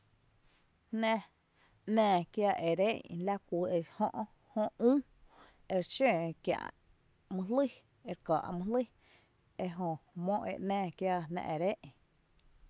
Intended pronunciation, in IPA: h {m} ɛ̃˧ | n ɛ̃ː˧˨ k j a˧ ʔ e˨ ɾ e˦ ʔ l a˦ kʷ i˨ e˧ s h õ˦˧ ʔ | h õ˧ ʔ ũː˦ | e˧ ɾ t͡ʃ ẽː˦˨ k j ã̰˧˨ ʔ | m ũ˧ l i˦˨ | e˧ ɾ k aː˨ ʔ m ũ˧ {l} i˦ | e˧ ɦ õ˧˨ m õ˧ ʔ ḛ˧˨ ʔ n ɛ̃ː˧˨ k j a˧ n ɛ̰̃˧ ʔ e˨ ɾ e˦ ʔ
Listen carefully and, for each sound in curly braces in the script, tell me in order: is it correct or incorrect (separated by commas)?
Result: incorrect, correct